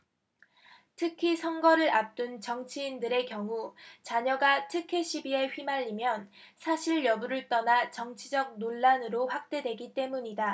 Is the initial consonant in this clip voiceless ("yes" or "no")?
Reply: yes